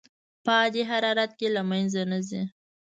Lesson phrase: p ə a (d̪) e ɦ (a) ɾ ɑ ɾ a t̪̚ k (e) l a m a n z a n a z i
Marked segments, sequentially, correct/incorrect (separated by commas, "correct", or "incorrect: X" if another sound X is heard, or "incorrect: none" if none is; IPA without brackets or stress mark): correct, correct, correct